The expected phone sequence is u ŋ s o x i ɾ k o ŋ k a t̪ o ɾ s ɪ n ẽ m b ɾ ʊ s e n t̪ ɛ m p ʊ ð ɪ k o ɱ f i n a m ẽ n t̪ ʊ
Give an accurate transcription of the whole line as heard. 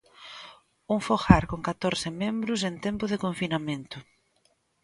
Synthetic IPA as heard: u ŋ f o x a ɾ k o ŋ k a t̪ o ɾ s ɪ m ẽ m b ɾ ʊ s e n t̪ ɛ m p ʊ ð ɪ k o ɱ f i n a m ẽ n t̪ ʊ